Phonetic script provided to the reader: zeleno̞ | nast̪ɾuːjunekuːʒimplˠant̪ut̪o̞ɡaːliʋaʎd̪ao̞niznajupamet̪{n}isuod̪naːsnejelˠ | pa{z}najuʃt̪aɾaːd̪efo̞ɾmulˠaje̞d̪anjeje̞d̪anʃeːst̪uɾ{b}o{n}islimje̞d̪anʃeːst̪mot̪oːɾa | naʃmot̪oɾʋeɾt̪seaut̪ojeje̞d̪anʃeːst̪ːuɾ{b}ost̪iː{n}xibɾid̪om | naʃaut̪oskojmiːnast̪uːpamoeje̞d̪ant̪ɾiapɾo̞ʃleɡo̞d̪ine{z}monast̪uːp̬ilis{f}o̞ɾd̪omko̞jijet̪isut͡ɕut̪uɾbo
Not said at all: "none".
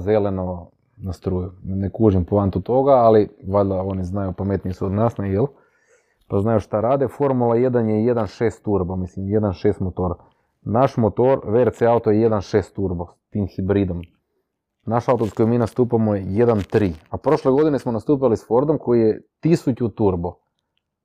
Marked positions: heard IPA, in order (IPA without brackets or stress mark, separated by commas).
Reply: n, z, b, m, b, m, s, f